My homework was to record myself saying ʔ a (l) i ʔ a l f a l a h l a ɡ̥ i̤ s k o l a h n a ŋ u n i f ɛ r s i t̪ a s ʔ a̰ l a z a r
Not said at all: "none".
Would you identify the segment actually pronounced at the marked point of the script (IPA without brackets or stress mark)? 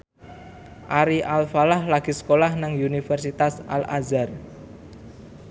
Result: ɾ